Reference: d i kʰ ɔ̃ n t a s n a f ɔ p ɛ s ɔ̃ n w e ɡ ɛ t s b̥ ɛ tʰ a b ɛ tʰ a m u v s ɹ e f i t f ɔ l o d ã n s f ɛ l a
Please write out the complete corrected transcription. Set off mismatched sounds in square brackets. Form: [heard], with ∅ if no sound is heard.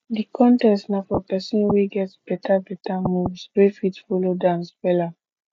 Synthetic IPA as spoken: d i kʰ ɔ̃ n t [ɛ] s n a f ɔ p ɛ s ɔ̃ n w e ɡ ɛ t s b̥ ɛ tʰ a b ɛ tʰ a m u v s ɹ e f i t f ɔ l o d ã n s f ɛ l a